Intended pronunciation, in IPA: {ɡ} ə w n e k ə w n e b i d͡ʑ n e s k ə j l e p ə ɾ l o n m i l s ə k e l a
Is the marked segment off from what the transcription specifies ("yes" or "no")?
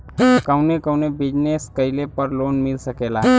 yes